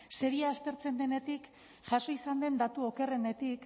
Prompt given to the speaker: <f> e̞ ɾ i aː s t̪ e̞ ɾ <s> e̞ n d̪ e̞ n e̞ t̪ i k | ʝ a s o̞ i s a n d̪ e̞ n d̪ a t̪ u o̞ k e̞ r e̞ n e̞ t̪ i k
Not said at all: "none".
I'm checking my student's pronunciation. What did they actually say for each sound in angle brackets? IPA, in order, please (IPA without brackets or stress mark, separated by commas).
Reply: s, t͡s